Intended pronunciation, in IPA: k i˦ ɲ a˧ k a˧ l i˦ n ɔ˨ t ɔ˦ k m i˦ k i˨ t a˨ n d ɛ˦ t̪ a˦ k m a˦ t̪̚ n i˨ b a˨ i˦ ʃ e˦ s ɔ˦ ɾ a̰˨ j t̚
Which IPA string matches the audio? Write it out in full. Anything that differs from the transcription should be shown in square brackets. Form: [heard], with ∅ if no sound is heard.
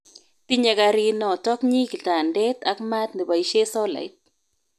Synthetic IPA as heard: [t] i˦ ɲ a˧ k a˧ [ɾ] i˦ n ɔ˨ t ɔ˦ k [ɲ] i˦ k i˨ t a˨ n d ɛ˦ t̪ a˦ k m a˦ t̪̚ n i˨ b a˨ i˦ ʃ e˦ s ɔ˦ [l] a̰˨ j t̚